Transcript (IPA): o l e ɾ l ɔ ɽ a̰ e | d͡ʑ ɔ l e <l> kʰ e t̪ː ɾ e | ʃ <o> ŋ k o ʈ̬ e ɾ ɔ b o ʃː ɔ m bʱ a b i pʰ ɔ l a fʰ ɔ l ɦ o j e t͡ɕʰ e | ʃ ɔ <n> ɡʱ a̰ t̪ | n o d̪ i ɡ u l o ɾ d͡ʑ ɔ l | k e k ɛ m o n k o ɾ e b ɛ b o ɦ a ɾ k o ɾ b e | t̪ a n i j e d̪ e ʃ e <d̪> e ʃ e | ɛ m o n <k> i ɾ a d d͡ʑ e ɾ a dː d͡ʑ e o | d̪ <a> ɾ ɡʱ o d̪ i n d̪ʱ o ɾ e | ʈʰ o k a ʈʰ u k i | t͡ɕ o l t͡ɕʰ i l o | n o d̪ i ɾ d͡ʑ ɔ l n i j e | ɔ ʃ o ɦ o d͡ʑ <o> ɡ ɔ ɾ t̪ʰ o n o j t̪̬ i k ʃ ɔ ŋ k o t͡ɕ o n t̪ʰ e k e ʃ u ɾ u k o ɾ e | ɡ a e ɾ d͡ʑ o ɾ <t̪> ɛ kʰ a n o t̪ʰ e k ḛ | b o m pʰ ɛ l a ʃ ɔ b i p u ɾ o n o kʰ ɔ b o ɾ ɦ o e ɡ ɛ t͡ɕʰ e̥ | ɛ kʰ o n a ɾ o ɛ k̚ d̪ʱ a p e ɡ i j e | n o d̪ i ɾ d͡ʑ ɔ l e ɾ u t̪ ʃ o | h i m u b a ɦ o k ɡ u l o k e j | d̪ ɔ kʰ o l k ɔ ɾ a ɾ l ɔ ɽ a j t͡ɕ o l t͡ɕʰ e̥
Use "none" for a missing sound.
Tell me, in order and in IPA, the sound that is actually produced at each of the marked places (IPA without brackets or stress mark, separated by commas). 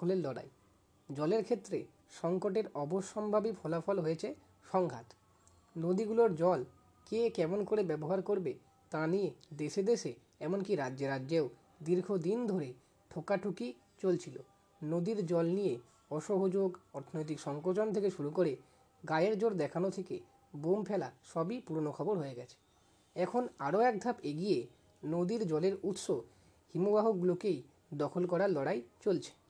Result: ɾ, ɔ, ŋ, d̪, k, i, o, d̪